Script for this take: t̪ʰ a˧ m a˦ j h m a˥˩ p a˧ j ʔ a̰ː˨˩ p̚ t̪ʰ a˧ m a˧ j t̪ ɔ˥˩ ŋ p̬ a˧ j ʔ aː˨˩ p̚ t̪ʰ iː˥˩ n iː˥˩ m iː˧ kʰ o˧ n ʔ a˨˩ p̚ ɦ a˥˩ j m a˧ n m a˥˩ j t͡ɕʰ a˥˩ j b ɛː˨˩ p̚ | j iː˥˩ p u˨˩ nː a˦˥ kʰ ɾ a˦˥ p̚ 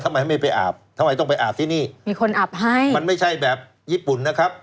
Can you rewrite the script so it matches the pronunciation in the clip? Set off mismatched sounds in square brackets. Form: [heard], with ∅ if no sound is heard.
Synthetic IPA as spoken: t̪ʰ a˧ m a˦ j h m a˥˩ p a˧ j ʔ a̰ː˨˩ p̚ t̪ʰ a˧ m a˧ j t̪ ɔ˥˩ ŋ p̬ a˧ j ʔ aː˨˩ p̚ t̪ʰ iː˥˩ n iː˥˩ m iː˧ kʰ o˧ n ʔ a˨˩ p̚ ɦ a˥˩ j m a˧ n m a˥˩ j t͡ɕʰ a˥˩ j b ɛː˨˩ p̚ | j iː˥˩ p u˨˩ nː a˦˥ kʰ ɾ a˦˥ p̚